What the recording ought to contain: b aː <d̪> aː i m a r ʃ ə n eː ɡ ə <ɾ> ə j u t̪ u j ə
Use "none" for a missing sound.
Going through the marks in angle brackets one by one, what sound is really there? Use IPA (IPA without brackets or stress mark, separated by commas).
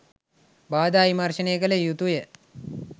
d̪, l